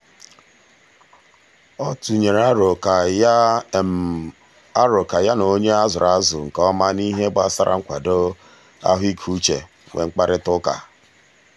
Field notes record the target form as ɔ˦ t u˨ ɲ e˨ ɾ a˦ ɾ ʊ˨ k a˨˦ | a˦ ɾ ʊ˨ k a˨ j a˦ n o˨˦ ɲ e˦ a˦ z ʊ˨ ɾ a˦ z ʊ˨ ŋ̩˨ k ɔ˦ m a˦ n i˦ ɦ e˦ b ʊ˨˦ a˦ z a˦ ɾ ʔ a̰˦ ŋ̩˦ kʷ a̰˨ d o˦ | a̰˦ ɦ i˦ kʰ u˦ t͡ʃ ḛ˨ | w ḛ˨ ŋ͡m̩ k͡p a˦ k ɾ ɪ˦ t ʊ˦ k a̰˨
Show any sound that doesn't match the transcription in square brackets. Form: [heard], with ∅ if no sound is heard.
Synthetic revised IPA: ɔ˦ t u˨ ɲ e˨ ɾ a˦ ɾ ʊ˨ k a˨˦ | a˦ ɾ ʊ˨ k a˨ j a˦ n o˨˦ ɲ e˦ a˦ z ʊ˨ ɾ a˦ z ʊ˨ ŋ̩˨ k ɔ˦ m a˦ n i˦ ɦ e˦ b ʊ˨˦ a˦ [s] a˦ ɾ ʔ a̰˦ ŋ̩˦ kʷ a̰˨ d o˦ | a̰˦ ɦ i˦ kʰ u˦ t͡ʃ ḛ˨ | w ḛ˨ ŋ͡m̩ k͡p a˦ [∅] ɾ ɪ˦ t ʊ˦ k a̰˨

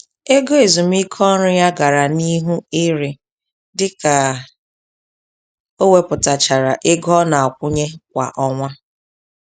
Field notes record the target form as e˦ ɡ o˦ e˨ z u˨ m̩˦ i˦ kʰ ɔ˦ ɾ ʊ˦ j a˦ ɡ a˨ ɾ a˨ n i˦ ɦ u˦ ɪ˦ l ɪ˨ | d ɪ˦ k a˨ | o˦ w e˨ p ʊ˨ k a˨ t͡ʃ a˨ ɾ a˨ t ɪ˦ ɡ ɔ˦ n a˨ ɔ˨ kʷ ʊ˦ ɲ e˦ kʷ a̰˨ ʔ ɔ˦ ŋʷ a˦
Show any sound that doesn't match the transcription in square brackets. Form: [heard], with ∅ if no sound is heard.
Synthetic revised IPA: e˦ ɡ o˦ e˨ z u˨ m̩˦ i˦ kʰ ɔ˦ ɾ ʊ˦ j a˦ ɡ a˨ ɾ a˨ n i˦ ɦ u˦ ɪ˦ [ɾ] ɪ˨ | d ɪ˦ k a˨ | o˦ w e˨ p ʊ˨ [t] a˨ t͡ʃ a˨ ɾ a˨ [ʔ] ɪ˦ ɡ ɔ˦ n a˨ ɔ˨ kʷ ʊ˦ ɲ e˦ kʷ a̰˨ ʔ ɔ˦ ŋʷ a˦

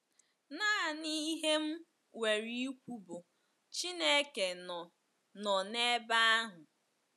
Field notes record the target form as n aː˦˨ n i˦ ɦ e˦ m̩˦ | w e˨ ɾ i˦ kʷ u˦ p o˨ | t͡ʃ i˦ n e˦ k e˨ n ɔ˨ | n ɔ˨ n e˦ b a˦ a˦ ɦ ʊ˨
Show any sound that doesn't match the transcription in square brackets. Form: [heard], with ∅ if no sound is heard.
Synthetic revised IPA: n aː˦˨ n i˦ ɦ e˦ m̩˦ | w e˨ ɾ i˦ kʷ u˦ [b] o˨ | t͡ʃ i˦ n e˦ k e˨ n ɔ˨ | n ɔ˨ n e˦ b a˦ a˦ ɦ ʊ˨

